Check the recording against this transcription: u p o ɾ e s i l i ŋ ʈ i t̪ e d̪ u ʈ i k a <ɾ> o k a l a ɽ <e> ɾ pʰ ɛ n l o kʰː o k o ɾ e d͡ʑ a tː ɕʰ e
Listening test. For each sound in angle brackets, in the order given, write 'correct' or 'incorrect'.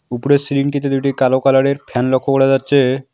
incorrect, correct

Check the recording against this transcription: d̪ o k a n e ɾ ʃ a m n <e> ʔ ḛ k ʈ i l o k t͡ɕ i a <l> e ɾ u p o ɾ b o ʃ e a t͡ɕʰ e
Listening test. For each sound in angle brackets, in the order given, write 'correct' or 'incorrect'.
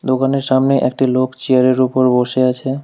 correct, incorrect

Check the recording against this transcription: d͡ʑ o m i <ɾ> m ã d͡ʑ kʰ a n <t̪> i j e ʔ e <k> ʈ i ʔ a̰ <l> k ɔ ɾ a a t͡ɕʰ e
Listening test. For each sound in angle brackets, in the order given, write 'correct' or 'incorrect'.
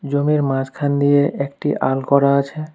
correct, incorrect, correct, correct

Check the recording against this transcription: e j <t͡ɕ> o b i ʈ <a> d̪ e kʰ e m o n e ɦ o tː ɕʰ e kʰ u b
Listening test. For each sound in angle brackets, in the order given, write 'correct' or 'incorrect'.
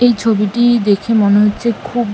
incorrect, incorrect

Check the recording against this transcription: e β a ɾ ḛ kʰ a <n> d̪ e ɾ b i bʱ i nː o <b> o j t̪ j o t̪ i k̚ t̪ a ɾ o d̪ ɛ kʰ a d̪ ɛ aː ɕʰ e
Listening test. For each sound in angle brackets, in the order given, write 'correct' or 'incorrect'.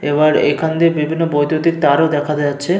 correct, correct

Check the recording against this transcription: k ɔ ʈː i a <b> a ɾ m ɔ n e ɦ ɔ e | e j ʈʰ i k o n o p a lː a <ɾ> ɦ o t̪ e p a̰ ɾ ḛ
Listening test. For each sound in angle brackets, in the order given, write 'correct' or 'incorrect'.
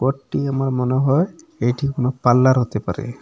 incorrect, correct

